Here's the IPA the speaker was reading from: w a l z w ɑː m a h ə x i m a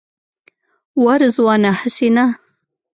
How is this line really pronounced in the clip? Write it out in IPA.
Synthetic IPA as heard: w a ɾ z w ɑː n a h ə s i n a